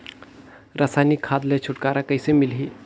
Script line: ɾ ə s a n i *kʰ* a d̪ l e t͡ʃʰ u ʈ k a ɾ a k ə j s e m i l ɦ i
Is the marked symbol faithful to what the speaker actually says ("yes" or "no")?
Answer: yes